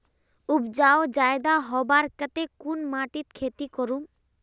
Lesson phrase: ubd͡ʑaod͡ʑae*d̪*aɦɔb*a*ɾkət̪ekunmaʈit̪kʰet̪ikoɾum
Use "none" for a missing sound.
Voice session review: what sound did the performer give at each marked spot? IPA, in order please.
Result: d̪, a

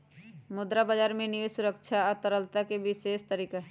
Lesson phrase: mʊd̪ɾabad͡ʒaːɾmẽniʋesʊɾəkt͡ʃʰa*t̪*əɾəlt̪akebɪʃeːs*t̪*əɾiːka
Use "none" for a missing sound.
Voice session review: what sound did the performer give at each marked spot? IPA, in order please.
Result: t̪, t̪

